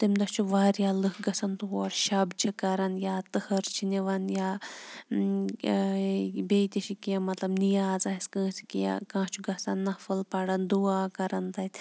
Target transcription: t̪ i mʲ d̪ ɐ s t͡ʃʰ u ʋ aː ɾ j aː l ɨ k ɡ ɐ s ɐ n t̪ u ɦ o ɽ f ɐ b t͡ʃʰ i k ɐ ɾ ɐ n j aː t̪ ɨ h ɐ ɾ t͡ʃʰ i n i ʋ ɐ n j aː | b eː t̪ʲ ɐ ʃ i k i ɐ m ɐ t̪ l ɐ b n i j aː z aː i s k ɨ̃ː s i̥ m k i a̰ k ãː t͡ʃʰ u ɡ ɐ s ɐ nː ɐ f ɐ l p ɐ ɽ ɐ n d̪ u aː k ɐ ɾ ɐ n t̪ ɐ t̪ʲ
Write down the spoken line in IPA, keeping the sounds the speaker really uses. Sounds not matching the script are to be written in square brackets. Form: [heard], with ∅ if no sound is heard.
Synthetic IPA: t̪ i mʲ d̪ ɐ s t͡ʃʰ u ʋ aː ɾ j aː l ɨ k ɡ ɐ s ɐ n t̪ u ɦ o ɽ [ʃ] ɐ b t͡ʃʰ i k ɐ ɾ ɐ n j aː t̪ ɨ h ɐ ɾ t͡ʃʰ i n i ʋ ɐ n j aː | b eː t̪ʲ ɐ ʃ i k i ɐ m ɐ t̪ l ɐ b n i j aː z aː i s k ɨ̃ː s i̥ [∅] k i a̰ k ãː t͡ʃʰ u ɡ ɐ s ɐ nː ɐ f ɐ l p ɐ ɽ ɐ n d̪ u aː k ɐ ɾ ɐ n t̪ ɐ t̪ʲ